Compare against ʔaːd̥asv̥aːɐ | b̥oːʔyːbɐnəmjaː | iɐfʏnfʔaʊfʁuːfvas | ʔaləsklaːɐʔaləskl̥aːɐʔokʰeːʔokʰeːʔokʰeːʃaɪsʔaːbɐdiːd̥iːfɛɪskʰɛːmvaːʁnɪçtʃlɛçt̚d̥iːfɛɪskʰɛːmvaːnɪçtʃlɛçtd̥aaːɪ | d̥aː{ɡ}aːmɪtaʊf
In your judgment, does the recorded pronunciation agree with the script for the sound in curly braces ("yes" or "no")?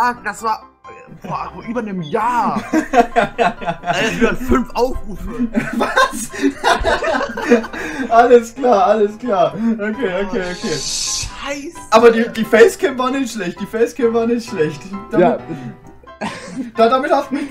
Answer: no